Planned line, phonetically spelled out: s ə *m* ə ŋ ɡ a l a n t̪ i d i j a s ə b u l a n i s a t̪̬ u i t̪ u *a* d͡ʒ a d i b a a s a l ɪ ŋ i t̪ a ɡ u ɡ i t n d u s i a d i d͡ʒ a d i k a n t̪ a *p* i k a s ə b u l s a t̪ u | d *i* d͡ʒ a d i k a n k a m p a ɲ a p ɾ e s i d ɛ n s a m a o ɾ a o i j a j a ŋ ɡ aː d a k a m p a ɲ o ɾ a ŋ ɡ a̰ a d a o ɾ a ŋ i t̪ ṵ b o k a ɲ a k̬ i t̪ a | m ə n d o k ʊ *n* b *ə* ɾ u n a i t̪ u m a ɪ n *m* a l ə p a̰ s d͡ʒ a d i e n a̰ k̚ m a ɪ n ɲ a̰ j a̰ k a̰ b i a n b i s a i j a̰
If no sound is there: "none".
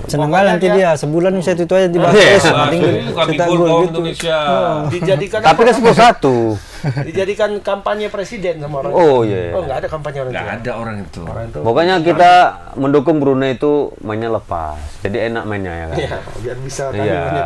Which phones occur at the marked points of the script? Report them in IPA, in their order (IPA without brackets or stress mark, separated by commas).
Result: n, a, p, i, ŋ, ə, ɲ